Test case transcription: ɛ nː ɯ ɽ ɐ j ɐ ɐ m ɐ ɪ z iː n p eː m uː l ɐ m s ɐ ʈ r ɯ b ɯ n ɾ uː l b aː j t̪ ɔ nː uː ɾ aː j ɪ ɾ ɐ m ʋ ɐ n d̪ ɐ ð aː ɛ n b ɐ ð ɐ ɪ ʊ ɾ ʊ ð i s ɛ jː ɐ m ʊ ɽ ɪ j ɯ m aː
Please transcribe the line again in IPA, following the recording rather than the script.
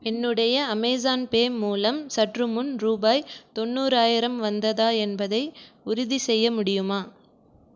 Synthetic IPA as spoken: ɛ nː ɯ ɽ ɐ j ɐ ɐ m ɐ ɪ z aː n p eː m uː l ɐ m s ɐ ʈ r ɯ m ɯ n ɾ uː b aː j t̪ ɔ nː uː ɾ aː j ɪ ɾ ɐ m ʋ ɐ n d̪ ɐ ð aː ɛ n b ɐ ð ɐ ɪ ʊ ɾ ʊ ð i s ɛ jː ɐ m ʊ ɽ ɪ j ɯ m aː